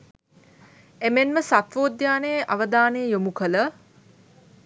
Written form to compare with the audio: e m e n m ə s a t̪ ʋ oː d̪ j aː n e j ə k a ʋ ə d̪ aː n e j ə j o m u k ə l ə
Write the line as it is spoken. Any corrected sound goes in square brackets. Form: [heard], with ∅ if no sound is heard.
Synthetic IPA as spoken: e m e n m ə s a t̪ ʋ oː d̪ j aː n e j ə [ʔ] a ʋ ə d̪ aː n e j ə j o m u k ə l ə